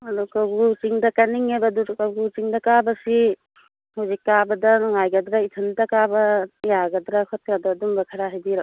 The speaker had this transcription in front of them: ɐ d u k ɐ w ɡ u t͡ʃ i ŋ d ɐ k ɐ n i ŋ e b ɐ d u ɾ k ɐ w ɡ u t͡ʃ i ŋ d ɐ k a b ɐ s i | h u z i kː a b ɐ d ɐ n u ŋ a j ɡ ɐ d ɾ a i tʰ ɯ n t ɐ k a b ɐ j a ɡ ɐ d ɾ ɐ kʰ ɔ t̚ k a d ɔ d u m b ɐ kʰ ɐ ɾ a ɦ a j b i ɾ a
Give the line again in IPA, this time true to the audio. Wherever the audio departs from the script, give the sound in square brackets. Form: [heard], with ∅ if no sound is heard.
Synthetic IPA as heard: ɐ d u k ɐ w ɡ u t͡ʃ i ŋ d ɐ k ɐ n i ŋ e b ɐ d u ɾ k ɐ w ɡ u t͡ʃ i ŋ d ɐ k a b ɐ s i | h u z i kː a b ɐ d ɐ n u ŋ a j ɡ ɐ d ɾ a i tʰ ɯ n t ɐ k a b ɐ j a ɡ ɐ d ɾ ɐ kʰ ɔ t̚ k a d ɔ d u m b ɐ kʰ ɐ ɾ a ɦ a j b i ɾ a